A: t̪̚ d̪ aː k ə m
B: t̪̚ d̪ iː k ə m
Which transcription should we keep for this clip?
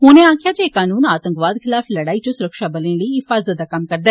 A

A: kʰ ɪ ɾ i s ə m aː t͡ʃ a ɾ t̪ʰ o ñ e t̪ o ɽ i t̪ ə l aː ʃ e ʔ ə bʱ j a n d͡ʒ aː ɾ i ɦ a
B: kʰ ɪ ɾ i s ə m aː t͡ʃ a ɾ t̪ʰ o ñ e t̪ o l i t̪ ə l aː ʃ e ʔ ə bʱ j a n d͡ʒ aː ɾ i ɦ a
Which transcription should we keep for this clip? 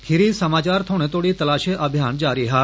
A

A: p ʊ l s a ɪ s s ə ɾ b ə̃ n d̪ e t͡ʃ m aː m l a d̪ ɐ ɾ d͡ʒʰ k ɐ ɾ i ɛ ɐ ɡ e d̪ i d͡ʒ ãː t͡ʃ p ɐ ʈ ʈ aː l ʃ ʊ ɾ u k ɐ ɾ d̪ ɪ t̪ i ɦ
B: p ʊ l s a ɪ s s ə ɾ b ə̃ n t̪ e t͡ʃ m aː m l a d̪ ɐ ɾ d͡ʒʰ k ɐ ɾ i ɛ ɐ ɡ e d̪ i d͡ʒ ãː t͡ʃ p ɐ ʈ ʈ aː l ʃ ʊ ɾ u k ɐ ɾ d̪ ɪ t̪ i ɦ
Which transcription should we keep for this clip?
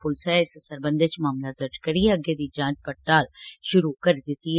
A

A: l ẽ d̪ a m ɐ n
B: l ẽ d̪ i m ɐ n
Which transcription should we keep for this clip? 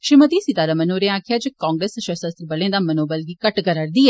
A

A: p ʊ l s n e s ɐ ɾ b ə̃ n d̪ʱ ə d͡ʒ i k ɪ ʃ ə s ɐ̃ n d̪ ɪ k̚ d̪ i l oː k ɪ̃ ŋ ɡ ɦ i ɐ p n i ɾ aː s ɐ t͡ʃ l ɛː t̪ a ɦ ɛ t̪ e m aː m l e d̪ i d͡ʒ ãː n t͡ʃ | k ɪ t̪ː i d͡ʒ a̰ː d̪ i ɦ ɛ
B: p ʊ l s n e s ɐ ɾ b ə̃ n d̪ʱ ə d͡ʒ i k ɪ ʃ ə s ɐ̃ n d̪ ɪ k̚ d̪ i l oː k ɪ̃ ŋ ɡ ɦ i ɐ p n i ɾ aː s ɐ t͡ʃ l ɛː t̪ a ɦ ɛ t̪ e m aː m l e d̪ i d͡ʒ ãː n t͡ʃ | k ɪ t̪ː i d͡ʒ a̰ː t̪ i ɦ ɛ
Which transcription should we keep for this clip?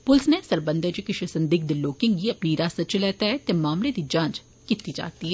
B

